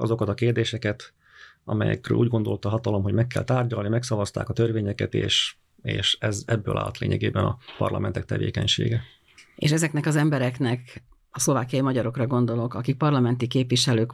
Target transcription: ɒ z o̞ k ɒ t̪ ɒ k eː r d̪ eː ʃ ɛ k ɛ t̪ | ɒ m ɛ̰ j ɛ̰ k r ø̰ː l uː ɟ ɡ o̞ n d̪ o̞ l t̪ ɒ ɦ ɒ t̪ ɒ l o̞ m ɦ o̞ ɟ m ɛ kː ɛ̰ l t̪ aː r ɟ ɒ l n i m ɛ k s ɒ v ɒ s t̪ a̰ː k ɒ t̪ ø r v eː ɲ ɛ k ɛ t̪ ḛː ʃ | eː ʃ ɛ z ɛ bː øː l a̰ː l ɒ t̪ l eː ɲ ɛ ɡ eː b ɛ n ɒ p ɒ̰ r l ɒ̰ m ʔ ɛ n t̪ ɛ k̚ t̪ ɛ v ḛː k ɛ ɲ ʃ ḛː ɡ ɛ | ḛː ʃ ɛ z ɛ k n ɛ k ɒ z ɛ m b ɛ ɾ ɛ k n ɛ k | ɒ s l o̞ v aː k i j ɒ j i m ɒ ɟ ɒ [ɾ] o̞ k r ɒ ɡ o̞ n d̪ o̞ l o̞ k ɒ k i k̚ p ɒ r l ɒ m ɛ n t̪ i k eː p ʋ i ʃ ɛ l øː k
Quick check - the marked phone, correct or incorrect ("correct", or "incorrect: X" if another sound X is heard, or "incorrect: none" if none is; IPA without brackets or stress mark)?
correct